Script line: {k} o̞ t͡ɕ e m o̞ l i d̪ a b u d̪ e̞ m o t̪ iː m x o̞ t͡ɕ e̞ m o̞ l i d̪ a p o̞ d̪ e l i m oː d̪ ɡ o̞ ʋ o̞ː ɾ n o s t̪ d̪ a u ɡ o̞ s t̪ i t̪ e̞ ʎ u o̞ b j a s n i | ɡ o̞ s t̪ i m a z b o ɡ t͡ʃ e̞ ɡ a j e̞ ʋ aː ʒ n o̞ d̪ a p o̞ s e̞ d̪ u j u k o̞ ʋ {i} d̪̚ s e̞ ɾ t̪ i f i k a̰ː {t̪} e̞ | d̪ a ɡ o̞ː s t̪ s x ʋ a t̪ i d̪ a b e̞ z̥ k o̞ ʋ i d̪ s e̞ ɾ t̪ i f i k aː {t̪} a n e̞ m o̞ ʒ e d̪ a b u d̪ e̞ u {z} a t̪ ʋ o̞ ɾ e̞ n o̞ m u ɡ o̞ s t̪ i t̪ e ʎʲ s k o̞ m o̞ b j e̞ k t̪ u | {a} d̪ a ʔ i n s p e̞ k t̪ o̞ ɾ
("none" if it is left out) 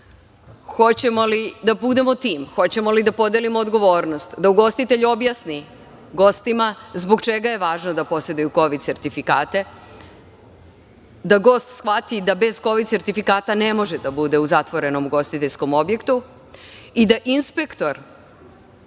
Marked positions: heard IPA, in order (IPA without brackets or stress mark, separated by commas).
x, i, t̪, t̪, z, i